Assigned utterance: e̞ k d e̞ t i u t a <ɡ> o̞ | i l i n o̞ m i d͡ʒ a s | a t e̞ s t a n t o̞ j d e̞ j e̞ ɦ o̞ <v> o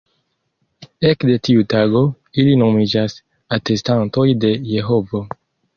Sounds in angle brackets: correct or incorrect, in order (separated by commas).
correct, correct